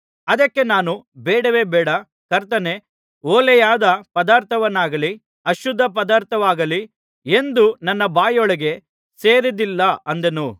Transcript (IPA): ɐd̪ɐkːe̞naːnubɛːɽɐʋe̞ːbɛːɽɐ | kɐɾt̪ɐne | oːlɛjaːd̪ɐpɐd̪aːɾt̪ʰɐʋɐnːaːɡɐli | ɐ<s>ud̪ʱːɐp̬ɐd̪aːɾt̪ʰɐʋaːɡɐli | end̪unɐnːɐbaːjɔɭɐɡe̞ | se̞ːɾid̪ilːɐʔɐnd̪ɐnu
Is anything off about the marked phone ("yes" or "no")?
yes